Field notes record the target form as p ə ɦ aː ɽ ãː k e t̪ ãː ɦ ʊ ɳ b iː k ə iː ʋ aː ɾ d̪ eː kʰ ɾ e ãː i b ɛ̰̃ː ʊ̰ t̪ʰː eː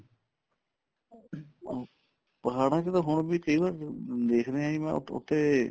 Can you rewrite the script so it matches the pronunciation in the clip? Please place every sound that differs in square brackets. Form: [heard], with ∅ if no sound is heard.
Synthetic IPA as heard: p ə ɦ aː ɽ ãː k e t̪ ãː ɦ ʊ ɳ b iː k ə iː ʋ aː ɾ d̪ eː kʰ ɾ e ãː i [m] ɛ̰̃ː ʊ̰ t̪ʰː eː